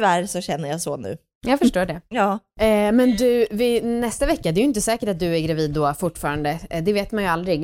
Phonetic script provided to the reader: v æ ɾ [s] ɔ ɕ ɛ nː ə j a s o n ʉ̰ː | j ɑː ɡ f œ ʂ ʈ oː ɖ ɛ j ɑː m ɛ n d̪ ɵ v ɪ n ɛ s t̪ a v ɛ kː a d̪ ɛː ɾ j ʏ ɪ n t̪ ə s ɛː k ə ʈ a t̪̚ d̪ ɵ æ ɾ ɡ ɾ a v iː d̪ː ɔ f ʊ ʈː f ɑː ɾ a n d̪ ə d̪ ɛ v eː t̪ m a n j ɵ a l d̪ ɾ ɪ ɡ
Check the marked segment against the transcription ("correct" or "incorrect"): correct